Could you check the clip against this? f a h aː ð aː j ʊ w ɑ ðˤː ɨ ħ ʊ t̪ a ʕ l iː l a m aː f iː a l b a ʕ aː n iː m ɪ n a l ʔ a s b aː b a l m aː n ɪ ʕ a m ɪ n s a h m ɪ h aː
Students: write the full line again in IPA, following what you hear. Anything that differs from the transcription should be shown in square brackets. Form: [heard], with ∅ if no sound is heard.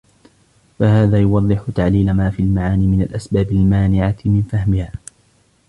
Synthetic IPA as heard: f a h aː ð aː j ʊ w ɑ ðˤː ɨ ħ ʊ t̪ a ʕ l iː l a m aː f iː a l [m] a ʕ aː n iː m ɪ n a l ʔ a s b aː b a l m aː n ɪ ʕ a m ɪ n [f] a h m ɪ h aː